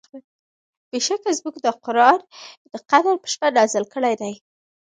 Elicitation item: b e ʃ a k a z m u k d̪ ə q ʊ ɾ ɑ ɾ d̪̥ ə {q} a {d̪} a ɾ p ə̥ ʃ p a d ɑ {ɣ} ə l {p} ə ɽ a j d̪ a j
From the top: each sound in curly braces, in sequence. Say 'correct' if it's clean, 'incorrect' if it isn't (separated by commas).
correct, correct, incorrect, incorrect